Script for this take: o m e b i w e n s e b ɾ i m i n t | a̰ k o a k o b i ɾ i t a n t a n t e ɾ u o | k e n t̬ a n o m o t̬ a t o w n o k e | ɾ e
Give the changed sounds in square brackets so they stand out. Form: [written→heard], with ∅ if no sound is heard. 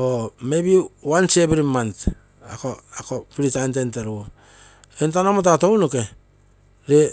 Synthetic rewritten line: o m e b i w [e→a] n s e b ɾ i m [i→a] n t | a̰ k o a k o [b→p] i ɾ i t a n t [a→e] n t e ɾ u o | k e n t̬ a n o m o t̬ a t o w n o k e | ɾ e